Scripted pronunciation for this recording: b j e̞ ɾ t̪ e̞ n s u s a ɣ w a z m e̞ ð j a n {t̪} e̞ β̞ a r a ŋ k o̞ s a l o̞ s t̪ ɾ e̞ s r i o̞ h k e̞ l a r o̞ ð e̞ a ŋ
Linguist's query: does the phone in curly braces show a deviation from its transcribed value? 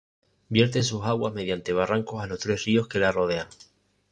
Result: no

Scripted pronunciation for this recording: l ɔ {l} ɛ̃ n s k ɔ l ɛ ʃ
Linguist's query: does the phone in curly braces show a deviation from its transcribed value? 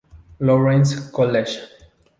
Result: yes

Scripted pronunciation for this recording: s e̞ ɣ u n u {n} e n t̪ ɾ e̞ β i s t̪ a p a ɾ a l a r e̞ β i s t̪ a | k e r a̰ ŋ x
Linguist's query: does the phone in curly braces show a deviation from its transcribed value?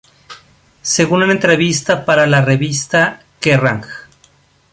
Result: no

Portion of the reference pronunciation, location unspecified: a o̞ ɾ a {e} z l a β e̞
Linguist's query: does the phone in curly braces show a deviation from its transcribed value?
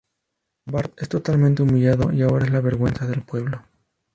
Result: no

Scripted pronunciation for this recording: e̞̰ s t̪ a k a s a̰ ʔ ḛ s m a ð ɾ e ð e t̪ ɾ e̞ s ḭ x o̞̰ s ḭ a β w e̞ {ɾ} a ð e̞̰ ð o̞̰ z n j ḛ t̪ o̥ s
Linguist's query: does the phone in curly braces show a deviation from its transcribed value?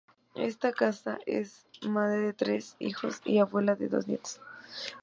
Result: yes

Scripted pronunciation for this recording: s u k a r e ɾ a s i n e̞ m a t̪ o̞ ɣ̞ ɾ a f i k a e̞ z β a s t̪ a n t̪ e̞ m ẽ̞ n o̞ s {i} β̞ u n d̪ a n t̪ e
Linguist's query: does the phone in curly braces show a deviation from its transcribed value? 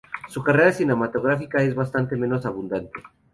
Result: yes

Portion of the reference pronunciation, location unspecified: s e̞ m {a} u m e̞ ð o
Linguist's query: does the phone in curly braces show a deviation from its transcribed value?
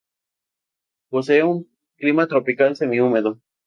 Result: yes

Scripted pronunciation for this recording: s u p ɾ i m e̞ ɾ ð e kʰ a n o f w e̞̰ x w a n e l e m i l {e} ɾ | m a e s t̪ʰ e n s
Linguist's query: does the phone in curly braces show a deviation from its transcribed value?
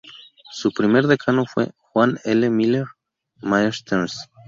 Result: no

